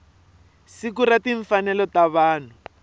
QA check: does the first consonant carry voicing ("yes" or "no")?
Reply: no